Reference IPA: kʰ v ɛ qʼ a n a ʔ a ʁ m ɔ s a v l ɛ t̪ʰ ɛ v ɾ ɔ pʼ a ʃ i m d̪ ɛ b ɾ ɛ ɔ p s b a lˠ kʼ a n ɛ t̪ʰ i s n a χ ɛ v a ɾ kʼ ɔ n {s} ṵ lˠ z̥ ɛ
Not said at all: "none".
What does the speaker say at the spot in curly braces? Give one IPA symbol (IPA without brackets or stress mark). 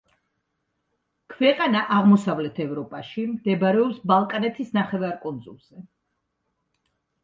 z